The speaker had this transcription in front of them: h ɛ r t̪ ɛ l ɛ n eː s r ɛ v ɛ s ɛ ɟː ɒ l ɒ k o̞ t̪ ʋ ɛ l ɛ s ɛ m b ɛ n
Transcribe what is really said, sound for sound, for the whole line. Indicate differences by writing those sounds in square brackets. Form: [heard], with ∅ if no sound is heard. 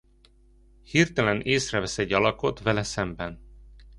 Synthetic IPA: h [i] r t̪ ɛ l ɛ n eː s r ɛ v ɛ s ɛ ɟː ɒ l ɒ k o̞ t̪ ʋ ɛ l ɛ s ɛ m b ɛ n